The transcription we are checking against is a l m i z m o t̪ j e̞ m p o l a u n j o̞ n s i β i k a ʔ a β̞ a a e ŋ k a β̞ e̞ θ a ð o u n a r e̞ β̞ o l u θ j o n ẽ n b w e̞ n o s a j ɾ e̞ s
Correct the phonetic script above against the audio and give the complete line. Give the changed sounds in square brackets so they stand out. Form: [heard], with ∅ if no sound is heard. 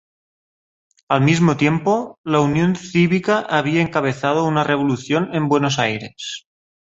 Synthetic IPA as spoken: a l m i z m o t̪ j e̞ m p o l a u n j o̞ n [θ] i β i k a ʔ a β̞ [i] a e ŋ k a β̞ e̞ θ a ð o u n a r e̞ β̞ o l u θ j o n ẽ [m] b w e̞ n o s a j ɾ e̞ s